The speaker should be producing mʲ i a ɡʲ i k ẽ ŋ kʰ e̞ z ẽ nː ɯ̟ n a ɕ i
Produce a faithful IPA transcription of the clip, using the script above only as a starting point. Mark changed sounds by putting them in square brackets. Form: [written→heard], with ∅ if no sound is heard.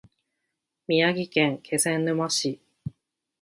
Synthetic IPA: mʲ i a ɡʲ i k ẽ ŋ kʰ e̞ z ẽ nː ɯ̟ [n→m] a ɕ i

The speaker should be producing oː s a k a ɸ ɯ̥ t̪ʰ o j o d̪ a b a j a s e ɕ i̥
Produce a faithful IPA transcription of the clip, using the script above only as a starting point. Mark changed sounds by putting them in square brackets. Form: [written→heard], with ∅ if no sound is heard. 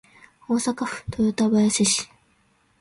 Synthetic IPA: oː s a k a ɸ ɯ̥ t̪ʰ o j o [d̪→t̪] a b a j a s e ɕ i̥

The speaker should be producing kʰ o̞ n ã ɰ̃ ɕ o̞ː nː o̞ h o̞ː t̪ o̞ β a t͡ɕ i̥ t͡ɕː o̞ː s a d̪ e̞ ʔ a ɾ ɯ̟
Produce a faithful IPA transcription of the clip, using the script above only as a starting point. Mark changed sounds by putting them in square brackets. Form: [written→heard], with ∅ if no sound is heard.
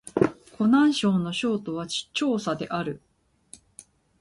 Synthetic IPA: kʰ o̞ n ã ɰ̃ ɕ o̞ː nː o̞ [h→ɕ] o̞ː t̪ o̞ β a t͡ɕ i̥ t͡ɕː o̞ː s a d̪ e̞ ʔ a ɾ ɯ̟

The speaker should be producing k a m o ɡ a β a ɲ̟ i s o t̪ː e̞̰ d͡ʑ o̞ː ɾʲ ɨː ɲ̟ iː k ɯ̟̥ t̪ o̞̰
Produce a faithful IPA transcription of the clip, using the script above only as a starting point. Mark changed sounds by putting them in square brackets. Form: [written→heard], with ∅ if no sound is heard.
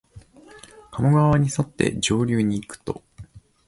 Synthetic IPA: k a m o ɡ a β a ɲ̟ i s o t̪ː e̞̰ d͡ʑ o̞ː ɾʲ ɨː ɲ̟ iː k ɯ̟̥ t̪ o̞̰

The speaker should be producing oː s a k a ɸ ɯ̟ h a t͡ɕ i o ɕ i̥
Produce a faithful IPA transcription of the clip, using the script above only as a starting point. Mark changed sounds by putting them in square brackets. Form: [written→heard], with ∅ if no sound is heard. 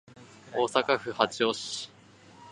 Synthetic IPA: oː s a k a ɸ ɯ̟ h a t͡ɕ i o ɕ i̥

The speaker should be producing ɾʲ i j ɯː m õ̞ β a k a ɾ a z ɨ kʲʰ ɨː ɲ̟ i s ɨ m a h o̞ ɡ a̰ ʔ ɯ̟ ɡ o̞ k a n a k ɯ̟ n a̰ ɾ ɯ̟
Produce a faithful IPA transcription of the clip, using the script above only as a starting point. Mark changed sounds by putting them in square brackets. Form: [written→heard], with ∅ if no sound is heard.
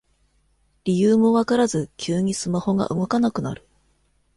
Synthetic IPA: ɾʲ i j ɯː m [õ̞→o̞] β a k a ɾ a z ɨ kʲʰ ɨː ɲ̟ i s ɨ m a h o̞ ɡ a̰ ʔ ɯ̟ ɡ o̞ k a n a k ɯ̟ n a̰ ɾ ɯ̟

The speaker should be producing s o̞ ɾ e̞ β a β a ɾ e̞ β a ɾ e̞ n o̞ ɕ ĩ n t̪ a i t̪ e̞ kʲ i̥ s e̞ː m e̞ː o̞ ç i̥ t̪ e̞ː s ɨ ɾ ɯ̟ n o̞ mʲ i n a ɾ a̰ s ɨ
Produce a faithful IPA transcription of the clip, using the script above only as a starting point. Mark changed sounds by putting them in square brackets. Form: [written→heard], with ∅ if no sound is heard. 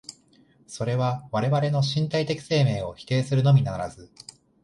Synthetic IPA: s o̞ ɾ e̞ β a β a ɾ e̞ β a ɾ e̞ n o̞ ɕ ĩ n t̪ a i t̪ e̞ kʲ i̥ s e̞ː m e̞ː o̞ ç i̥ t̪ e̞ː s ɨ ɾ ɯ̟ n o̞ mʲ i n a ɾ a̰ [s→z] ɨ

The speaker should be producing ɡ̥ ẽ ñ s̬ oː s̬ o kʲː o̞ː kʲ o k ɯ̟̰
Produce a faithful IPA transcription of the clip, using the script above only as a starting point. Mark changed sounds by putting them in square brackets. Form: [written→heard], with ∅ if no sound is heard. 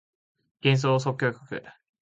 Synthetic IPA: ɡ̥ ẽ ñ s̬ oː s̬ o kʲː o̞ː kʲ o k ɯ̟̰

